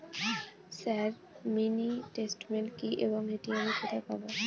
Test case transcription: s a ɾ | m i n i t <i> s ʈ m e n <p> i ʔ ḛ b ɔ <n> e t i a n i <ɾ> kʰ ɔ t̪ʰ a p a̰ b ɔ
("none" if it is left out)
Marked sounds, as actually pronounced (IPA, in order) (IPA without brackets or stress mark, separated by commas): e, k, ŋ, none